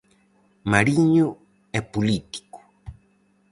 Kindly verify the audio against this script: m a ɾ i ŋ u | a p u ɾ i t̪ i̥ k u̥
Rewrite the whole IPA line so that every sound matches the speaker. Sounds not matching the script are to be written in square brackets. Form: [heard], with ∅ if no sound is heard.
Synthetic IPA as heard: m a ɾ i [ɲ] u | [e] p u [l] i t̪ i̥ k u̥